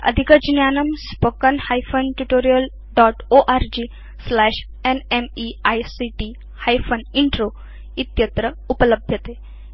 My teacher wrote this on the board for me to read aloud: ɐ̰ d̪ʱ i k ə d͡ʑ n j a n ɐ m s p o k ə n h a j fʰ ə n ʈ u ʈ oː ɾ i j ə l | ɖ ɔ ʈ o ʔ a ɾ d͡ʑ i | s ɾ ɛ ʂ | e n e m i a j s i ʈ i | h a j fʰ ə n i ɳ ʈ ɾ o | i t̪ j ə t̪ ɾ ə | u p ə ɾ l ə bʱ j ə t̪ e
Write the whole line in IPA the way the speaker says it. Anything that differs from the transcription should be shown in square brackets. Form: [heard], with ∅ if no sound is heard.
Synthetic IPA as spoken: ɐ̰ d̪ʱ i k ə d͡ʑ n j a n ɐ m s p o k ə n h a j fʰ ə n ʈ u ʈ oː ɾ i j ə l | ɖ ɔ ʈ o ʔ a ɾ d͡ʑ i | s [l] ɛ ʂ | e n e m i a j s i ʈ i | h a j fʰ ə n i ɳ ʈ ɾ o | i t̪ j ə t̪ ɾ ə | u p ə [∅] l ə bʱ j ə t̪ e

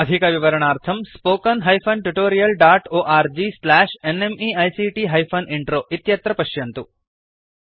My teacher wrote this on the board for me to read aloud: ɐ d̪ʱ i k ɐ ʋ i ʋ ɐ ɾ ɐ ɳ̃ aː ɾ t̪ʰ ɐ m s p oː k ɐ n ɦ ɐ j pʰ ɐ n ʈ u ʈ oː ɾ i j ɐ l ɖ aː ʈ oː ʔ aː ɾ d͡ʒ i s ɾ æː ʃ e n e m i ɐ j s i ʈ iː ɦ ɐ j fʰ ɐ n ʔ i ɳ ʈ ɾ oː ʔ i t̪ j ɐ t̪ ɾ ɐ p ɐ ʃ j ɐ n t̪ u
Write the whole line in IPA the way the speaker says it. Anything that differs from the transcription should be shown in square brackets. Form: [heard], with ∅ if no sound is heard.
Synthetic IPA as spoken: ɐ d̪ʱ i k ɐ ʋ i ʋ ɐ ɾ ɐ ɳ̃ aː ɾ t̪ʰ ɐ m s p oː k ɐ n ɦ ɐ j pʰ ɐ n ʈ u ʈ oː ɾ i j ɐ l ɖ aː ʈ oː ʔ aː ɾ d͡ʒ i s [l] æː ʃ e n e m i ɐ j s i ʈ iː ɦ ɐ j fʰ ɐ n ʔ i ɳ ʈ ɾ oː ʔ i t̪ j ɐ t̪ ɾ ɐ p ɐ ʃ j ɐ n t̪ u

